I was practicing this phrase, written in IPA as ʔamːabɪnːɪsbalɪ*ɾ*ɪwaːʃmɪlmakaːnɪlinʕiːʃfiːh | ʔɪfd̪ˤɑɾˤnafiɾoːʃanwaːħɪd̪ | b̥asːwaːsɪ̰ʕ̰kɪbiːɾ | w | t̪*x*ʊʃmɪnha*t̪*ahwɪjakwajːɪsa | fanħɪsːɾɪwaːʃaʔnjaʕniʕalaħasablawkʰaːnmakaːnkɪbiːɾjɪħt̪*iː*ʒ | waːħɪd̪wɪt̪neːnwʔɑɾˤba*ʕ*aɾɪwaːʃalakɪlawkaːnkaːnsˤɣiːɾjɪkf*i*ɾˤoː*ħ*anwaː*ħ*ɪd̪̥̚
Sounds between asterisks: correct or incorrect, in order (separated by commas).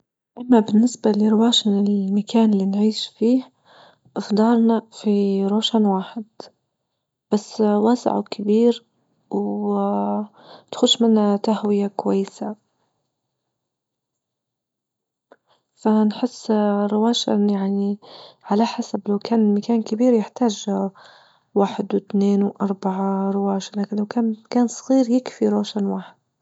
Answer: correct, correct, correct, incorrect, correct, correct, incorrect, correct